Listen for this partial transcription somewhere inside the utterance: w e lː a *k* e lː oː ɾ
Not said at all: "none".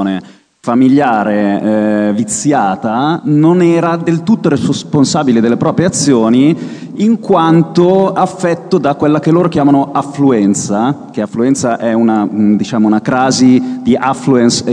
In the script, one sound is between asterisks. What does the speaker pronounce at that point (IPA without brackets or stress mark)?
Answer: k